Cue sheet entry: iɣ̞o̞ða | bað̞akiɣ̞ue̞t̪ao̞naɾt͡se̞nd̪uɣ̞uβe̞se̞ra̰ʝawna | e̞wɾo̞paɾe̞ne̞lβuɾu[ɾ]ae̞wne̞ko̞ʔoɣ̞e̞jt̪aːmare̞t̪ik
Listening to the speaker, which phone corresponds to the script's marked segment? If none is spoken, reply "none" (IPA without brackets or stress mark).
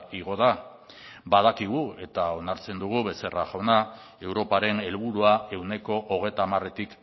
none